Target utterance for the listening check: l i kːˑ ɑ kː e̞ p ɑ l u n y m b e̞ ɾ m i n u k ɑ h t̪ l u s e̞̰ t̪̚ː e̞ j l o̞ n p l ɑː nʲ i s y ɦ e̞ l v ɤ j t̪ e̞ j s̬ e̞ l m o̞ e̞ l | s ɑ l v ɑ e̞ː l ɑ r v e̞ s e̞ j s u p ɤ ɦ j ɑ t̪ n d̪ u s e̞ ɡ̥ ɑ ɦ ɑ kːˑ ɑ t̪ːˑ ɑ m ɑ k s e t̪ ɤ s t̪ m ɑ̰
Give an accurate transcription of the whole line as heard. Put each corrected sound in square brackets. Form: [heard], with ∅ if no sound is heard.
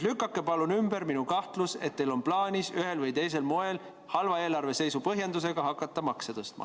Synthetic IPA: l [y] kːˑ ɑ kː e̞ p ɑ l u n y m b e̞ ɾ m i n u k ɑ h t̪ l u s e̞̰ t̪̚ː e̞ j l o̞ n p l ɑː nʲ i s y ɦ e̞ l v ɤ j t̪ e̞ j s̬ e̞ l m o̞ e̞ l | [h] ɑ l v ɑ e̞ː l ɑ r v e̞ s e̞ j s u p ɤ ɦ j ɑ [∅] n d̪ u s e̞ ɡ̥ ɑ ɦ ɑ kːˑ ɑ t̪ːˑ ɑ m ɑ k s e t̪ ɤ s t̪ m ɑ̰